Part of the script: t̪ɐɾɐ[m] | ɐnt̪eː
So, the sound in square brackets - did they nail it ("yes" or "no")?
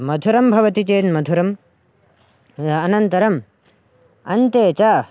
yes